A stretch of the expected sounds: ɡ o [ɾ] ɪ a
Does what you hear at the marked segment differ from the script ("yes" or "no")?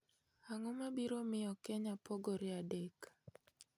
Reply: no